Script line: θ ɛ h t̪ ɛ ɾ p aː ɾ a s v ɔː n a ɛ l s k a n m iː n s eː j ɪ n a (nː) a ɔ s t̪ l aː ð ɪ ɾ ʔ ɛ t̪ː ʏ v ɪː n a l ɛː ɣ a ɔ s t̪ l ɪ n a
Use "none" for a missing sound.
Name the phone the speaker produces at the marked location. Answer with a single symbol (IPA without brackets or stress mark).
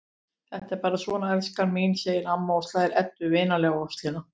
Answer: mː